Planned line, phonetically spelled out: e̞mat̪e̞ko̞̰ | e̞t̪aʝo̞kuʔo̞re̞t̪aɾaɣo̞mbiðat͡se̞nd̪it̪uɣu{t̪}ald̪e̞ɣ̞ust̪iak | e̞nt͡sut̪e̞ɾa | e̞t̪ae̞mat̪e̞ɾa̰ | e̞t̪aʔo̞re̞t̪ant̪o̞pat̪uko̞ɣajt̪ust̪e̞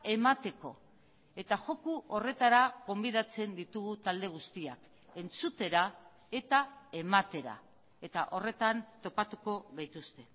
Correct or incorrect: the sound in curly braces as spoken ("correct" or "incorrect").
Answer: correct